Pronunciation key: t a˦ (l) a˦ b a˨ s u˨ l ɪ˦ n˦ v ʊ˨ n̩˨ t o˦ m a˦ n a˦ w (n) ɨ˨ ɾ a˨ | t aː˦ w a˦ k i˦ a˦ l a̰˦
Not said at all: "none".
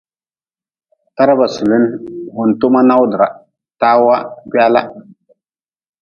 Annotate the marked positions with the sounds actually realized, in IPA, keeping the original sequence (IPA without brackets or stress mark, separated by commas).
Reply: ɾ, d